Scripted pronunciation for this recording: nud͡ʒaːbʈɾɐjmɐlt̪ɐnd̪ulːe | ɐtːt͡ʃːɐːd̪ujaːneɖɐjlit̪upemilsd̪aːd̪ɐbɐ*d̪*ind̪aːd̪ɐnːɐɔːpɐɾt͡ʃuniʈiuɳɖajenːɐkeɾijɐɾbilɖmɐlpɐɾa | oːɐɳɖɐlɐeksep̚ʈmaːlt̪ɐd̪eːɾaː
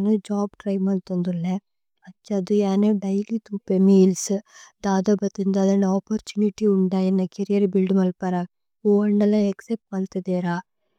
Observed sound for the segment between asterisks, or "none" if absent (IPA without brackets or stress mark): t̪